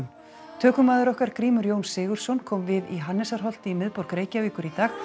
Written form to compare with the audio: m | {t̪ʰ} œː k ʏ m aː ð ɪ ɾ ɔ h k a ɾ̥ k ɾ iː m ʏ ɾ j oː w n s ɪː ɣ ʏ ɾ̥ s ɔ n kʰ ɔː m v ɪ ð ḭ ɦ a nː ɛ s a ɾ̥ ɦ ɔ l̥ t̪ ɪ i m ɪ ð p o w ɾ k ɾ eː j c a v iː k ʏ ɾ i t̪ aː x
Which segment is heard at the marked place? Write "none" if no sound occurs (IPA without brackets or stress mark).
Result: t̪ʰ